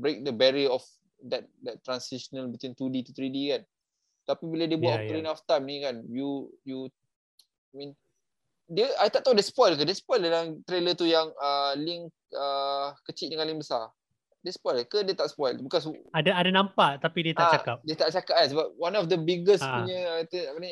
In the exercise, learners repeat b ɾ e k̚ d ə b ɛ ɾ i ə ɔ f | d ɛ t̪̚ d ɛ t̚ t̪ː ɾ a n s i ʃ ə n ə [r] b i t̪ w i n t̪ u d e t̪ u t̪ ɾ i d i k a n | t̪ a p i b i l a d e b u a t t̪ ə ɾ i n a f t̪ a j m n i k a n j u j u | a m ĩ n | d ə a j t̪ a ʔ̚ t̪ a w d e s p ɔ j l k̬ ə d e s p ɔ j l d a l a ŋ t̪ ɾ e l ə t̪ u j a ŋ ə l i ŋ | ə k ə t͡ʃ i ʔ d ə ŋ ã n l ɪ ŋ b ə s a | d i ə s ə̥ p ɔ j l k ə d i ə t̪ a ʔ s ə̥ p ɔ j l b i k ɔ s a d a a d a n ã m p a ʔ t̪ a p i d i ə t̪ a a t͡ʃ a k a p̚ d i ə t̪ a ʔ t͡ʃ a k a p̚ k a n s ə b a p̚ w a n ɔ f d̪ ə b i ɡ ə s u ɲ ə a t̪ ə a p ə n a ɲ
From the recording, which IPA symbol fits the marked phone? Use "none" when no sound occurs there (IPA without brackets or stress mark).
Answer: l